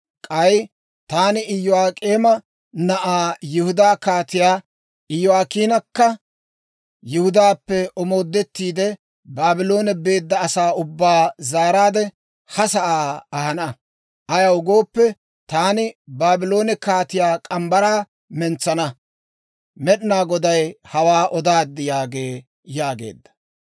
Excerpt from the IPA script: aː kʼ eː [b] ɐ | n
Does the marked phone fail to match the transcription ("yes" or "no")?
yes